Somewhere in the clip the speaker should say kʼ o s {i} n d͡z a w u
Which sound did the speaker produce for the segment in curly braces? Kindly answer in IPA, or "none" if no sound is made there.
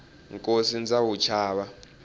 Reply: i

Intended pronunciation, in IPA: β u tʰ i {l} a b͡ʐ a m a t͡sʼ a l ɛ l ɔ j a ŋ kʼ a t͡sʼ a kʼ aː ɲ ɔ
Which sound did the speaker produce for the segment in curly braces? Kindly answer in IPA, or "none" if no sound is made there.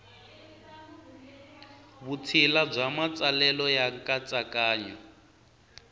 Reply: l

